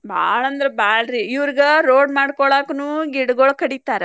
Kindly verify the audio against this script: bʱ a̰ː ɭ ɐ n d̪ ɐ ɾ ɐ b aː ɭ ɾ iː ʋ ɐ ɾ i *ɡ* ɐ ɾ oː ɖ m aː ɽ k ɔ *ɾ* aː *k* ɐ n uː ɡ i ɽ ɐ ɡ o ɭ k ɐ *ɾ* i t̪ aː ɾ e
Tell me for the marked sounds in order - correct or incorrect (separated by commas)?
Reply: correct, incorrect, correct, incorrect